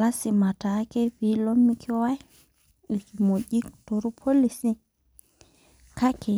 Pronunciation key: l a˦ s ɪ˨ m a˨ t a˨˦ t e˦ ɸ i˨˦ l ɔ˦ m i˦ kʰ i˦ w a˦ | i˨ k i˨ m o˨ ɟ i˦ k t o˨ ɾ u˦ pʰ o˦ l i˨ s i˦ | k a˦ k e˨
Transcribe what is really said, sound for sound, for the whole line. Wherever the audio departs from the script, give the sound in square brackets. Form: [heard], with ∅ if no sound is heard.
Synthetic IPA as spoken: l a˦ s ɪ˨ m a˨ t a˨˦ [k] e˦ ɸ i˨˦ l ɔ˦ m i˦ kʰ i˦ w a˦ | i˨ k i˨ m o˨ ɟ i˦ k t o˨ ɾ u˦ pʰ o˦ l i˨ s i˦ | k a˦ k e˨